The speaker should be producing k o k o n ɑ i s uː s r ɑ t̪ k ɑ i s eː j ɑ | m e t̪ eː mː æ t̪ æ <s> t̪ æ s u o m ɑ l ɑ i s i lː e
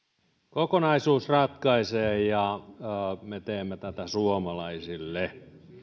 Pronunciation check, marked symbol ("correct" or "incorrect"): incorrect